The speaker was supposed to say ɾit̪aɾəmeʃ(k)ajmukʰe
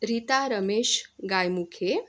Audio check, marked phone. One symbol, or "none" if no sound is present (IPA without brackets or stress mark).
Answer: ɡ